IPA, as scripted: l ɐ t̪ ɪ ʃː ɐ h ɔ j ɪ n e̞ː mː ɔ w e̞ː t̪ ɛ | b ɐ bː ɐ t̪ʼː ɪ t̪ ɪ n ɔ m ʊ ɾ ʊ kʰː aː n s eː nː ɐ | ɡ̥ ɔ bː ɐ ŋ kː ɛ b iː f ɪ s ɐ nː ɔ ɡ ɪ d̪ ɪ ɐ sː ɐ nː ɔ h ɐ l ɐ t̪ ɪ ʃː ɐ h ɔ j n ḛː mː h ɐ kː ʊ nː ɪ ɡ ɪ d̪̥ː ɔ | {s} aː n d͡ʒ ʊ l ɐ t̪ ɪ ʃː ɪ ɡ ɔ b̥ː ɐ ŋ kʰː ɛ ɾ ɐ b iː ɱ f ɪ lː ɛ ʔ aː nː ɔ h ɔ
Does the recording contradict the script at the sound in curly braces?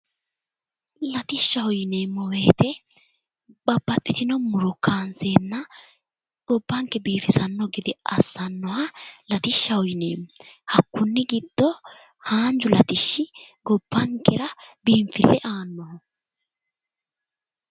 yes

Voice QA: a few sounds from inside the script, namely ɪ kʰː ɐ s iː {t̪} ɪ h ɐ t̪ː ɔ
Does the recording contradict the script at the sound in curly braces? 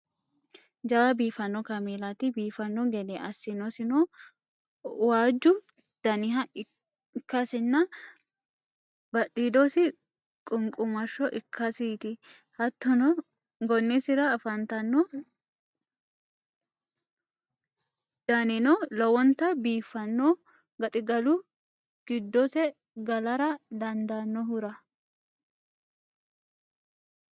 no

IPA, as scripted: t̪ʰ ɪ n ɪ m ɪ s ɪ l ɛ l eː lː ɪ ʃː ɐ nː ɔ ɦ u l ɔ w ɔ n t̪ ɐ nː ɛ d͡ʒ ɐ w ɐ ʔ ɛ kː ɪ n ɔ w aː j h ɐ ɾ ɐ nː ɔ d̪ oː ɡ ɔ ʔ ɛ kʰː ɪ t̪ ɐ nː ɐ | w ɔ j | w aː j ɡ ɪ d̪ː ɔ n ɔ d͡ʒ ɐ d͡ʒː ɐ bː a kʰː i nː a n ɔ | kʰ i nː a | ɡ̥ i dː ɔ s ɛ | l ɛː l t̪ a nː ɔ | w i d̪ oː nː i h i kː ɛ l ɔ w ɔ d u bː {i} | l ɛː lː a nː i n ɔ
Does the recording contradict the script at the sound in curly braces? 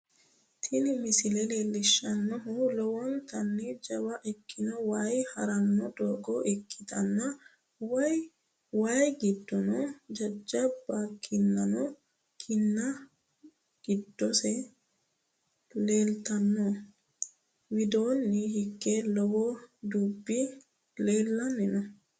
no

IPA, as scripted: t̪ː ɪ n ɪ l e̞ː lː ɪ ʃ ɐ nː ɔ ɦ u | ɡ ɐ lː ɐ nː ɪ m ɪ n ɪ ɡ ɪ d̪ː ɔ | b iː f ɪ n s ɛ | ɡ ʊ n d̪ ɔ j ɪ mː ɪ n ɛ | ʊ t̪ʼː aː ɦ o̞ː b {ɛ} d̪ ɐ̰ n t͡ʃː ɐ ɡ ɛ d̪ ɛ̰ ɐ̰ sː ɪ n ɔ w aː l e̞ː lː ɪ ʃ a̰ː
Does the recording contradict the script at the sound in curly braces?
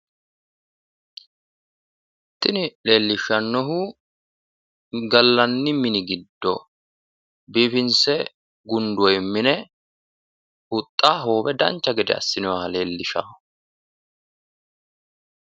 no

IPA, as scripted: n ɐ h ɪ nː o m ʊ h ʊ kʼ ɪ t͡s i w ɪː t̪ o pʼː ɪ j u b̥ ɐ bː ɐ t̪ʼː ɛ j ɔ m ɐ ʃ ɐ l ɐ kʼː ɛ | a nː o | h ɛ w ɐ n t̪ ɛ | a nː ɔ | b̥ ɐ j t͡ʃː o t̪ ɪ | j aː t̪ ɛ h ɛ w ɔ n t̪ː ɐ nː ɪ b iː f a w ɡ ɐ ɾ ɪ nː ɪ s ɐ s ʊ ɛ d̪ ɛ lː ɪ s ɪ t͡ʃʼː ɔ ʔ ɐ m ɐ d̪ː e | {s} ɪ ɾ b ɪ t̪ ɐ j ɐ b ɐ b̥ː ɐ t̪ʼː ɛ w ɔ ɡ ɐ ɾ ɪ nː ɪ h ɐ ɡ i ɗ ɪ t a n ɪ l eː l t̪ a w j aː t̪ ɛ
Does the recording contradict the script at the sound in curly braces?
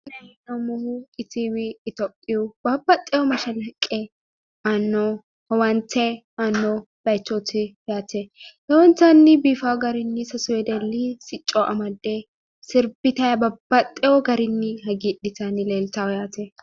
no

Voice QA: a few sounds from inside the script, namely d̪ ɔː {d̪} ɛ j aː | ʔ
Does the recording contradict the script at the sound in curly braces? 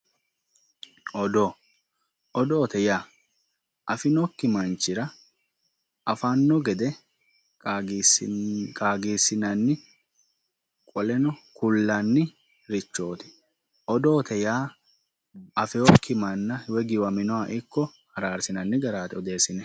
yes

